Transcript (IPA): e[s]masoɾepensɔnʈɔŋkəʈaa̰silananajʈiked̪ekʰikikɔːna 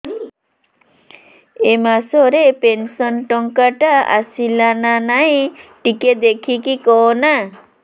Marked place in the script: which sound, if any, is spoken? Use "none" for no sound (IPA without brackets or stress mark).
none